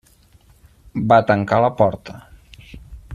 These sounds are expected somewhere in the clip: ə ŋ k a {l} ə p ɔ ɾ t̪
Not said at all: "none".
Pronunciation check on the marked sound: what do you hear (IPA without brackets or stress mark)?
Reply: l